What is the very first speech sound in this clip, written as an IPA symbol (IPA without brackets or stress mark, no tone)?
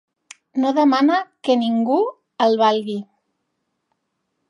n